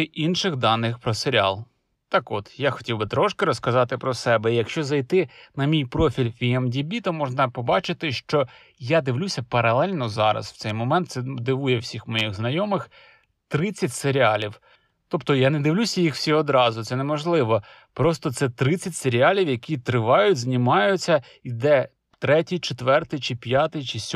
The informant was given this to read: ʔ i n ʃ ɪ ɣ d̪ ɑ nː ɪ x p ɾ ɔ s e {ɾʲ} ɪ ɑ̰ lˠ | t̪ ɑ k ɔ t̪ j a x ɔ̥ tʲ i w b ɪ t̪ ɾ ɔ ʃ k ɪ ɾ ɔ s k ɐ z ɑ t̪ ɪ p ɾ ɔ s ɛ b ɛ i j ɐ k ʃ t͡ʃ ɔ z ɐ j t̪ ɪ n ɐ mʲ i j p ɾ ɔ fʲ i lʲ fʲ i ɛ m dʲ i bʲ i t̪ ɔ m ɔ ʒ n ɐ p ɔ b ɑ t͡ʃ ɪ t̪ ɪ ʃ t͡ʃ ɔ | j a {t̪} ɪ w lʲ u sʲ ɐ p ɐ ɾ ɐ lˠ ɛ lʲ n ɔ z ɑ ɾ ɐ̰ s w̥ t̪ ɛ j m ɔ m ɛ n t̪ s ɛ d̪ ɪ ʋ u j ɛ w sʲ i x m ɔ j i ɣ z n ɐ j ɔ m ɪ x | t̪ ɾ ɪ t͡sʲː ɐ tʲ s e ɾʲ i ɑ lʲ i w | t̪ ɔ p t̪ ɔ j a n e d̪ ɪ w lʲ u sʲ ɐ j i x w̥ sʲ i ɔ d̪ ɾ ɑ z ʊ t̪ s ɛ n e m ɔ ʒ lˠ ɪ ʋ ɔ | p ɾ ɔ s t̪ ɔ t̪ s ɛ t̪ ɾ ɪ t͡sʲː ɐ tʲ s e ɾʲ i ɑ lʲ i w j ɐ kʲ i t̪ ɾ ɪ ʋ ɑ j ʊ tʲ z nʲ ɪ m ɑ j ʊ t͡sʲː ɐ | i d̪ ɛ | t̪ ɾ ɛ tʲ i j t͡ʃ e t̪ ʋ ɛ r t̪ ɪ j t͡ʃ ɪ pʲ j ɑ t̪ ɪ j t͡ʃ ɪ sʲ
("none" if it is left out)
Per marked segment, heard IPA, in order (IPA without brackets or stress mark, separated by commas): ɾʲ, d̪